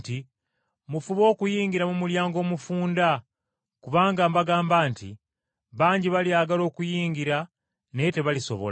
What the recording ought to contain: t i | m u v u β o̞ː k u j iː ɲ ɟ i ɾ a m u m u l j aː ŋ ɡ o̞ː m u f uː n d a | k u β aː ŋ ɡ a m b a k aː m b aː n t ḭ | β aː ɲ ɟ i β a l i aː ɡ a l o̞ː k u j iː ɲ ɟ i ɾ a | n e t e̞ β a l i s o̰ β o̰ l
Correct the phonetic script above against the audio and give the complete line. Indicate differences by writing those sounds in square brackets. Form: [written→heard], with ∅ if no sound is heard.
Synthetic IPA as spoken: t i | m u [v→f] u β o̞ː k u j iː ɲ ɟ i ɾ a m u m u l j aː ŋ ɡ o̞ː m u f uː n d a | k u β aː ŋ ɡ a m b a [k→ɡ] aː m b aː n t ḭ | β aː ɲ ɟ i β a l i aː ɡ a l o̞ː k u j iː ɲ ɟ i ɾ a | n e t e̞ β a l i s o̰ β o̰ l

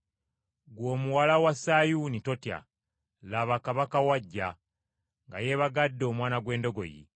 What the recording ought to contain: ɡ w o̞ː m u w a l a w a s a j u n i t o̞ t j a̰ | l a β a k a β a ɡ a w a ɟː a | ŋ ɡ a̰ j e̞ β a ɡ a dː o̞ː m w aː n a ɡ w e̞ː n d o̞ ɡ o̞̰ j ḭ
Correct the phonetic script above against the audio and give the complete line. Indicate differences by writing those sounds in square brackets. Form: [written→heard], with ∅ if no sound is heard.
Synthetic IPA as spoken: ɡ w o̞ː m u w a l a w a s a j u n i t o̞ t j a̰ | l a β a k a β a [ɡ→k] a w a ɟː a | ŋ ɡ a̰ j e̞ β a ɡ a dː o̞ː m w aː n a ɡ w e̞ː n d o̞ ɡ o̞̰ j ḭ

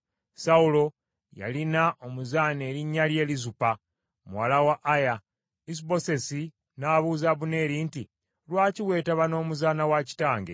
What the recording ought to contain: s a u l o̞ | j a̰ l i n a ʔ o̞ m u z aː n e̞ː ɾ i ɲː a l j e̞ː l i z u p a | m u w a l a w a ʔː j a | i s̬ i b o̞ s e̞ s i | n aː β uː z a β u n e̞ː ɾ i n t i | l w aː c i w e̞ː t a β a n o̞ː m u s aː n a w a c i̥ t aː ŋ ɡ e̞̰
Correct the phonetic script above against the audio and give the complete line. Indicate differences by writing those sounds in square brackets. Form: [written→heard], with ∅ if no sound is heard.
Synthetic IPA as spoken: s a u l o̞ | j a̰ l i n a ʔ o̞ m u z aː n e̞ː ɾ i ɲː a l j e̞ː l i z u p a | m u w a l a w a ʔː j a | i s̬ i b o̞ s e̞ s i | n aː β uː z a β u n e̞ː ɾ i n t i | l w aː c i w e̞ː t a β a n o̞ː m u [s→z] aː n a w a c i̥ t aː ŋ ɡ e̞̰

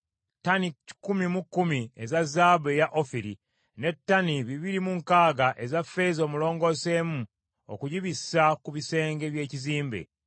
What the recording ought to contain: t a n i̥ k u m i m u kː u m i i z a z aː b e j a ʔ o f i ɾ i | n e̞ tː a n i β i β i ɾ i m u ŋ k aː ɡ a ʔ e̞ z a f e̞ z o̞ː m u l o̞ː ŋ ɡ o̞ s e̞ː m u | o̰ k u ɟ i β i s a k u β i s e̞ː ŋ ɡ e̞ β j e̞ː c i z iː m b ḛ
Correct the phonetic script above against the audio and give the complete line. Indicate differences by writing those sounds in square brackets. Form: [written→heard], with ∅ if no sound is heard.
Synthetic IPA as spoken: t a n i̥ k u m i m u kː u m i [i→e] z a z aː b e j a ʔ o f i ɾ i | n e̞ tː a n i β i β i ɾ i m u ŋ k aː ɡ a ʔ e̞ z a f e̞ z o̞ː m u l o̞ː ŋ ɡ o̞ s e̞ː m u | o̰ k u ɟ i β i s a k u β i s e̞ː ŋ ɡ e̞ β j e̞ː c i z iː m b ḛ

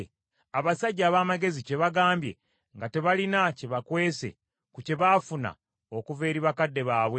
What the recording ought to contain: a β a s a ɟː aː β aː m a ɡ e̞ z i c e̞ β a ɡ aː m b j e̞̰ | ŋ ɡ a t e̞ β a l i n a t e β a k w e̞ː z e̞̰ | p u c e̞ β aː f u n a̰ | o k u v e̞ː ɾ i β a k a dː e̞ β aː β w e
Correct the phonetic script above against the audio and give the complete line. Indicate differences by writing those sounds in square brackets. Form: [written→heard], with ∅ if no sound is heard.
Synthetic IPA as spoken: a β a s a ɟː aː β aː m a ɡ e̞ z i c e̞ β a ɡ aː m b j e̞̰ | ŋ ɡ a t e̞ β a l i n a [t→c] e β a k w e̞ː [z→s] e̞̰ | [p→k] u c e̞ β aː f u n a̰ | o k u v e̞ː ɾ i β a k a dː e̞ β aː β w e

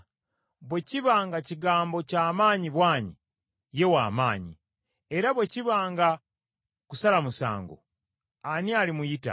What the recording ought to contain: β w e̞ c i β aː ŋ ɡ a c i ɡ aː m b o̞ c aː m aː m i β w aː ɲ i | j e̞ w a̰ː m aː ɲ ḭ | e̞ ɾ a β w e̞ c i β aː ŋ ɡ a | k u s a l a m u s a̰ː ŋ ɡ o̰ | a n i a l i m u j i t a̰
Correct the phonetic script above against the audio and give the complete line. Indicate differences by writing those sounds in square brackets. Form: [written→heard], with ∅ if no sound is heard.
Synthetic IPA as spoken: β w e̞ c i β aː ŋ ɡ a c i ɡ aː m b o̞ c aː m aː [m→ɲ] i β w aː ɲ i | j e̞ w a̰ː m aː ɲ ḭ | e̞ ɾ a β w e̞ c i β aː ŋ ɡ a | k u s a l a m u s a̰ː ŋ ɡ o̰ | a n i a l i m u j i t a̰

